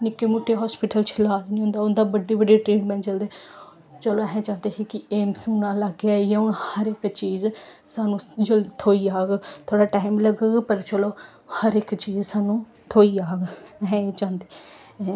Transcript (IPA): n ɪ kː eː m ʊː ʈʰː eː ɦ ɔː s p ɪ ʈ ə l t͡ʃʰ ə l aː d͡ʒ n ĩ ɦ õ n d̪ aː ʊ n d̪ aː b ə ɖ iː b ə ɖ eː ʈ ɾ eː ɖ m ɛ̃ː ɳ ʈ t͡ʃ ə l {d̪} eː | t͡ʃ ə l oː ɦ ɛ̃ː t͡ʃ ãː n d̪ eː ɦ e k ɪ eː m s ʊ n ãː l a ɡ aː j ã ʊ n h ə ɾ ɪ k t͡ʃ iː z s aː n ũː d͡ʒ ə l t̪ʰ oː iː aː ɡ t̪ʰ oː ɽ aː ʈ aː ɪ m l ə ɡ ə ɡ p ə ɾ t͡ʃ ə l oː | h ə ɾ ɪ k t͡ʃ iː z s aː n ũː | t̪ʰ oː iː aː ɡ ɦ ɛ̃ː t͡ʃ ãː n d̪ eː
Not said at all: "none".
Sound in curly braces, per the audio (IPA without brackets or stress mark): d̪